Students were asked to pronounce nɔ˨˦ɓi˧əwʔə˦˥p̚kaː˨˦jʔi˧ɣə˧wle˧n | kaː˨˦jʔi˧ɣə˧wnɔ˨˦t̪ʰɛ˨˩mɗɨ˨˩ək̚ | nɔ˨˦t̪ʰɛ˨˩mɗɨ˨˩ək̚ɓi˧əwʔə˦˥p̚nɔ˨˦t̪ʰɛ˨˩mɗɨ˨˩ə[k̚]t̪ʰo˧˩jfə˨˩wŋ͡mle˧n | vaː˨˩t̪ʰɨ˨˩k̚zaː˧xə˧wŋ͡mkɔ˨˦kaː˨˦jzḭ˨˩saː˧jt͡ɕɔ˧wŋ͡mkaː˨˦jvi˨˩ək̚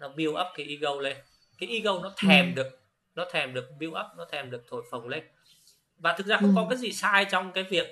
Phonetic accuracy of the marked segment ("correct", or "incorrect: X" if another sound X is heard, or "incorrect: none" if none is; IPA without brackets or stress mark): correct